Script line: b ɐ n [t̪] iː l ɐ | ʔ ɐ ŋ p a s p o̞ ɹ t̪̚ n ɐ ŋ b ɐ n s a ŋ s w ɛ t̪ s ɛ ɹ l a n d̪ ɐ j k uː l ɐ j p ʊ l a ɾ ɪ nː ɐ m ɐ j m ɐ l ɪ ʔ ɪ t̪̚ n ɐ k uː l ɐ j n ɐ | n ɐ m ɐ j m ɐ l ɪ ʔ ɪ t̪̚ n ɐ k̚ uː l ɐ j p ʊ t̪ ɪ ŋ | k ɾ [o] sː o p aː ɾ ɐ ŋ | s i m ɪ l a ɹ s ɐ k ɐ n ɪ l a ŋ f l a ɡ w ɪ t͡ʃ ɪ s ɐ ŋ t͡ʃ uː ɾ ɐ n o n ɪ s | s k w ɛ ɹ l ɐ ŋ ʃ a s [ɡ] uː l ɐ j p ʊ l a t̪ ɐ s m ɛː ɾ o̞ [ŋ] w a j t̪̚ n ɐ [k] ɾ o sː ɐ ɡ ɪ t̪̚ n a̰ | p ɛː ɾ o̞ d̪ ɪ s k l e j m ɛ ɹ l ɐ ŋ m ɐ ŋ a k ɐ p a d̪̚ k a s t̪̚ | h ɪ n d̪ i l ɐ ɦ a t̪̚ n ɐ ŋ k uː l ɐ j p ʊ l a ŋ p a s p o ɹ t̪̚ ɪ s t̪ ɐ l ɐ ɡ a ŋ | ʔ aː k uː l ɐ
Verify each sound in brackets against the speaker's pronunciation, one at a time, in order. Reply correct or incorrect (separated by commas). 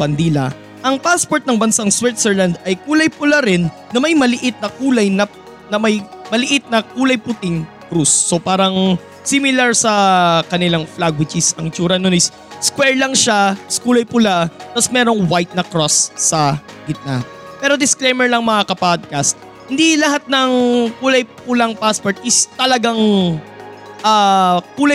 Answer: incorrect, incorrect, incorrect, correct, correct